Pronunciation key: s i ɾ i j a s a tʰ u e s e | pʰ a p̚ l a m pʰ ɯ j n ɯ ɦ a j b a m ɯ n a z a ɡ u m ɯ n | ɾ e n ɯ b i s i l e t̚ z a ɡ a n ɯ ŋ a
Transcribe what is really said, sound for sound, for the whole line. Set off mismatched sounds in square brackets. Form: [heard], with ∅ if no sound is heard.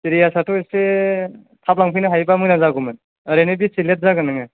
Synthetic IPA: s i ɾ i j a s a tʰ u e s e | [tʰ] a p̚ l a [ŋ] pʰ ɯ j n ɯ ɦ a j b a m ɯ n a z a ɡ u m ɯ n | ɾ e n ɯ b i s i l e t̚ z a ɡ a n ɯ ŋ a